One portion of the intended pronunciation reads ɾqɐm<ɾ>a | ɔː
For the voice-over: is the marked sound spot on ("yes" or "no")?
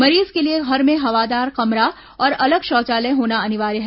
yes